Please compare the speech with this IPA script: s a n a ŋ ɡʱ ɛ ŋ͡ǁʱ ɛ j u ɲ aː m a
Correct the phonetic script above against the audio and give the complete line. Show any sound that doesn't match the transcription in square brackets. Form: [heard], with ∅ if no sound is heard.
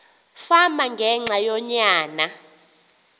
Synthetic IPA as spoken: [f] a [m] a ŋ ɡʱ ɛ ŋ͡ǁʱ [a] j [ɔ] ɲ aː [n] a